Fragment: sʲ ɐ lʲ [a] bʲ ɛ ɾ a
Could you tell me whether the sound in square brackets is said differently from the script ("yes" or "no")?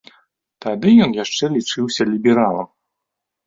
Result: yes